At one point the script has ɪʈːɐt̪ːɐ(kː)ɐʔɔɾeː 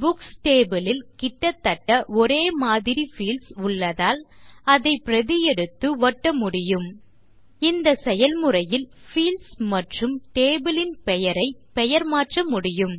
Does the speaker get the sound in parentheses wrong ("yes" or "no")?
yes